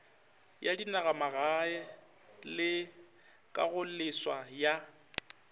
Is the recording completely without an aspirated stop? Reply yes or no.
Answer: yes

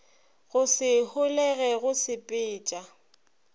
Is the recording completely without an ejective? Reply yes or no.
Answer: no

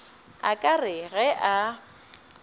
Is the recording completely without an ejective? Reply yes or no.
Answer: no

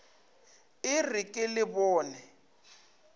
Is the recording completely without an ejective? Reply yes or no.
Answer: no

